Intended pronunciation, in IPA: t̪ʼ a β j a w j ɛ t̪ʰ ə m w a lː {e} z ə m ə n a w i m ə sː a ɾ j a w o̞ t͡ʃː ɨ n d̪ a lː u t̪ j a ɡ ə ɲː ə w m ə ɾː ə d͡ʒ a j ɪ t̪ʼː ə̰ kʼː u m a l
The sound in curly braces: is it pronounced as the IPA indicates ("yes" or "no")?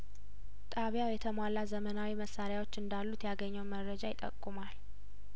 no